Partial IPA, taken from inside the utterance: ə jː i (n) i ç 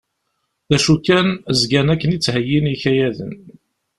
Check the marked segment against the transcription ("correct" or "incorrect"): correct